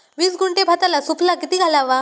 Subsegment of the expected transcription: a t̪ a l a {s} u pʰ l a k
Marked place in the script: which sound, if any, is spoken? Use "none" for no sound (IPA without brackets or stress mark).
s